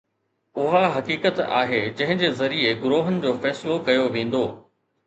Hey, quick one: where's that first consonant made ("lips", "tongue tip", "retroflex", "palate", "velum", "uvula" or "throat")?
throat